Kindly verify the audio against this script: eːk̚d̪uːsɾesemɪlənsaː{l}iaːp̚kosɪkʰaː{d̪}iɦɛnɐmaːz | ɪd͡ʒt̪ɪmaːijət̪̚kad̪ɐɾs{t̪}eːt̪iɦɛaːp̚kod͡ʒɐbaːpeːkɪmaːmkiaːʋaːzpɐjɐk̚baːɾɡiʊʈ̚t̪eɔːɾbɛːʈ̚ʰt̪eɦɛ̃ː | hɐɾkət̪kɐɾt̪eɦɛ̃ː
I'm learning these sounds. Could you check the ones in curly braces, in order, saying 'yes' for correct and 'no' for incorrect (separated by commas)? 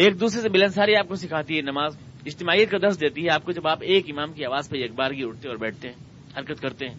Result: no, no, no